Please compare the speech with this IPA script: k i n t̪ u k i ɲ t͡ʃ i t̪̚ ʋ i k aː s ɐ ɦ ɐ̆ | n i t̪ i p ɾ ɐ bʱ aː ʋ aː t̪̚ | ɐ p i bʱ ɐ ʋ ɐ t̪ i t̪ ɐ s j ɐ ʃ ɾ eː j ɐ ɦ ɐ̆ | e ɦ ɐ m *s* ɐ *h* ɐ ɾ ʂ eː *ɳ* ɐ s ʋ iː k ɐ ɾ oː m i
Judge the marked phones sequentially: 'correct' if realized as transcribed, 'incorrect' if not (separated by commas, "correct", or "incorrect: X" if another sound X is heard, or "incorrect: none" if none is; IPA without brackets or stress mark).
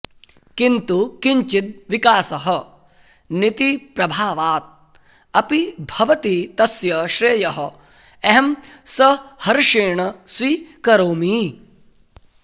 correct, correct, correct